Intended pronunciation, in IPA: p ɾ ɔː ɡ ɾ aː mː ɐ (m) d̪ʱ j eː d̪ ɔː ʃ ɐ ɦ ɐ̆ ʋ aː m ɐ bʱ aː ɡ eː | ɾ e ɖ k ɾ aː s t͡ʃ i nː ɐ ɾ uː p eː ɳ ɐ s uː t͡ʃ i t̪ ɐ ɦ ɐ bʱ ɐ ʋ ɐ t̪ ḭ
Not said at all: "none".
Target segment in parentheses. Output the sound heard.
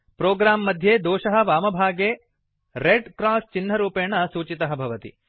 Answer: none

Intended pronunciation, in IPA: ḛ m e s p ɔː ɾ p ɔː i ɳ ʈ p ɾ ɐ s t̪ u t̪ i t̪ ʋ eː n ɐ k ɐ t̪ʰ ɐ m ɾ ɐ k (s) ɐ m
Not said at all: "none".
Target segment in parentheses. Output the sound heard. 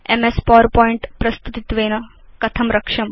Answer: ʂ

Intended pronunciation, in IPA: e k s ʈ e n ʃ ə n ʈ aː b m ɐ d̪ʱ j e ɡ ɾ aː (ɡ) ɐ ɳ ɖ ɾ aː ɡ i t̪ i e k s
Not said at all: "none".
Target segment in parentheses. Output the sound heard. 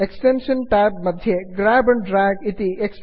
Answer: b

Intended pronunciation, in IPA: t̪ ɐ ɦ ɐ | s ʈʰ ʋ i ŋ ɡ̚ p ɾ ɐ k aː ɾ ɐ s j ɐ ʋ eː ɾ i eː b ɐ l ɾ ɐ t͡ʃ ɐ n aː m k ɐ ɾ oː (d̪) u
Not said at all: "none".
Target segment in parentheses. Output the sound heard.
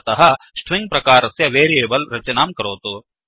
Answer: t̪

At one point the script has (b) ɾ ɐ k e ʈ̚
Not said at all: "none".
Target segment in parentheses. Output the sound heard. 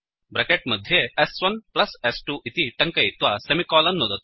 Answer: b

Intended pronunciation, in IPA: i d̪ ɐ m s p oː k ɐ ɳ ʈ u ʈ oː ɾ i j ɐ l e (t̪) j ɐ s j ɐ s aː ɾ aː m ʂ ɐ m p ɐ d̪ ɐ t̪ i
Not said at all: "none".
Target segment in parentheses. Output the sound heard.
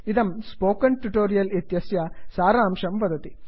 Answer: t̪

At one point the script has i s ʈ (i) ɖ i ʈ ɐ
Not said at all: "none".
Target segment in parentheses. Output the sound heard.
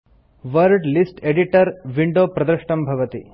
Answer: e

